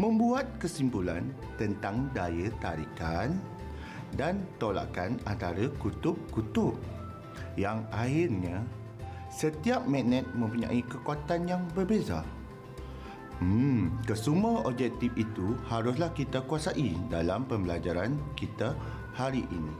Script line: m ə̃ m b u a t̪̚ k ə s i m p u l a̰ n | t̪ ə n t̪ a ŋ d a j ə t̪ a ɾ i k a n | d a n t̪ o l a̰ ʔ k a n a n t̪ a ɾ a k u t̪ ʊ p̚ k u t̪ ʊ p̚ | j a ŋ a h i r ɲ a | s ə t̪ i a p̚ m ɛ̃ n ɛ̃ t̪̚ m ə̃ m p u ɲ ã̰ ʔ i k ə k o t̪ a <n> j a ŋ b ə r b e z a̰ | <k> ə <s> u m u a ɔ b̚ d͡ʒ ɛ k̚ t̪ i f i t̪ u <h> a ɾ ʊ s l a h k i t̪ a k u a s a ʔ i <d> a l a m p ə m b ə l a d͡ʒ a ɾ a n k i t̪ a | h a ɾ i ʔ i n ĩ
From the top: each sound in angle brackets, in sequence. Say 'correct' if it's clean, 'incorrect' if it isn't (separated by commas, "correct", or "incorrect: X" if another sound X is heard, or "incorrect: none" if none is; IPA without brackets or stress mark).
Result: correct, correct, correct, correct, correct